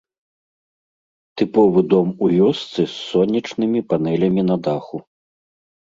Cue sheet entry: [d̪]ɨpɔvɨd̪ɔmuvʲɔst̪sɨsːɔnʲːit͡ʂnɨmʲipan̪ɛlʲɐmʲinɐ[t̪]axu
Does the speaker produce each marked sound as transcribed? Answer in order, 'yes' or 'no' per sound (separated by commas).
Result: no, no